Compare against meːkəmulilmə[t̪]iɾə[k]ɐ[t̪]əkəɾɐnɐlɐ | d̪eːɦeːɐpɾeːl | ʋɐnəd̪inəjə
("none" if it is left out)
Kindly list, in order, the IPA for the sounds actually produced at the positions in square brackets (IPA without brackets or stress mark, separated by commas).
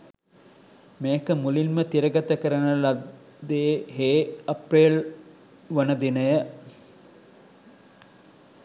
t̪, ɡ, t̪